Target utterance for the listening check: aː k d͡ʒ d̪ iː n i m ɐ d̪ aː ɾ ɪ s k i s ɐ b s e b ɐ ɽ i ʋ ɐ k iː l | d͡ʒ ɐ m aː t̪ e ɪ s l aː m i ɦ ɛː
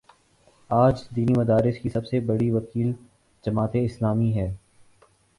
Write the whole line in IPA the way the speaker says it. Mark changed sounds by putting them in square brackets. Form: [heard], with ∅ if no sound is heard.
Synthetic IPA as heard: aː [∅] d͡ʒ d̪ iː n i m ɐ d̪ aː ɾ ɪ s k i s ɐ b s e b ɐ ɽ i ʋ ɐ k iː l | d͡ʒ ɐ m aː t̪ e ɪ s l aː m i ɦ ɛː